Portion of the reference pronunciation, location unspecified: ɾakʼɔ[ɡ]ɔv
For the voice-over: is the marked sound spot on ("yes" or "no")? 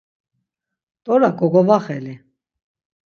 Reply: yes